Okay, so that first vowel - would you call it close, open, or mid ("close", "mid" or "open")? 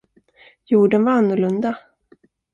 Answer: close